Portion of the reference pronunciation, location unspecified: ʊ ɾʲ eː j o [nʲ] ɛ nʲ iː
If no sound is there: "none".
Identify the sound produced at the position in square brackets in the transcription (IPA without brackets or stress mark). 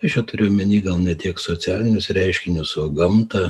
mʲ